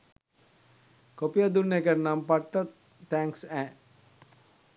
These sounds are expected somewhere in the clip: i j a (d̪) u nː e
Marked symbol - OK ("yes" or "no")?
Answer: yes